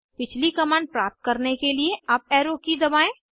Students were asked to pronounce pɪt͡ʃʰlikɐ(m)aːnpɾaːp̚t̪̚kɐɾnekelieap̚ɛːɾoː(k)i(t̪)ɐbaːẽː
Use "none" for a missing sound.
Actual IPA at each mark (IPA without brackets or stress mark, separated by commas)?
m, k, d̪